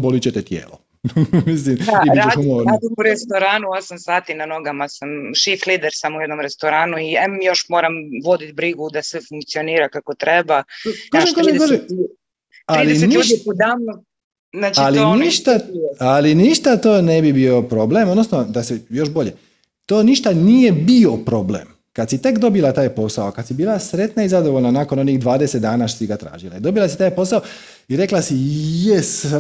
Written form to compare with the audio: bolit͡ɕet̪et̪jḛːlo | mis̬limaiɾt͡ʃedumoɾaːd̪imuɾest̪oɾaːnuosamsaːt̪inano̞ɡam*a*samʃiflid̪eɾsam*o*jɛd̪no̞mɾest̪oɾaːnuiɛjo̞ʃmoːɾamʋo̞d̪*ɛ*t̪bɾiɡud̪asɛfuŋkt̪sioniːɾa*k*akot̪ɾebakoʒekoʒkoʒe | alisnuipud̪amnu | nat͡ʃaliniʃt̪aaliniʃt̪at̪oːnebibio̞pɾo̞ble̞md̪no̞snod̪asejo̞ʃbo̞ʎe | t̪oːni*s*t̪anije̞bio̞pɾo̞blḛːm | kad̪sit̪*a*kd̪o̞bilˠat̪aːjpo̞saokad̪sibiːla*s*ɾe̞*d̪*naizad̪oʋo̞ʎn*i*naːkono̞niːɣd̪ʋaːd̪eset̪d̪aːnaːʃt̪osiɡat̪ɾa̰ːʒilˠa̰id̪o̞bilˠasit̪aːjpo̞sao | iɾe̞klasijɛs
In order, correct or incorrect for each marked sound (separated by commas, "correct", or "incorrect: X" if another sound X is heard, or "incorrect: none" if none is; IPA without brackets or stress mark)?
correct, incorrect: u, incorrect: i, correct, incorrect: ʃ, incorrect: e, correct, incorrect: t̪, incorrect: a